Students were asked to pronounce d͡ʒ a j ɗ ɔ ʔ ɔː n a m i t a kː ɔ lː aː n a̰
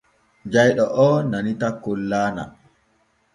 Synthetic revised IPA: d͡ʒ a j ɗ ɔ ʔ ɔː n a n i t a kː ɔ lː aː n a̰